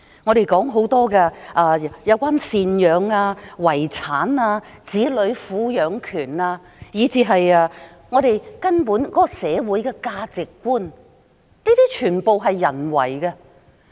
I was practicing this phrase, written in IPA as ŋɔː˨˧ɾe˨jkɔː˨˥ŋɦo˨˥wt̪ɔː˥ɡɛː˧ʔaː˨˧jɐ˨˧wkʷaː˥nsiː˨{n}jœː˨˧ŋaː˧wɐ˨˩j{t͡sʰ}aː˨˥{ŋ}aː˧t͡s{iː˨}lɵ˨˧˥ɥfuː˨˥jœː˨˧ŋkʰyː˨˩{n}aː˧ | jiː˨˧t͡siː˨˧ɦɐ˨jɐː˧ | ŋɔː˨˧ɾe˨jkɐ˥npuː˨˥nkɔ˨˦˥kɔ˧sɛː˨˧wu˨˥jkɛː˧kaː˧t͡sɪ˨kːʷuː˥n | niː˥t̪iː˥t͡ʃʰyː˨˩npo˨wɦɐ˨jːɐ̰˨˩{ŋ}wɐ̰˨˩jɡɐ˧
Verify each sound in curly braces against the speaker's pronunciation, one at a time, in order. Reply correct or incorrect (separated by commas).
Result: correct, correct, incorrect, incorrect, correct, incorrect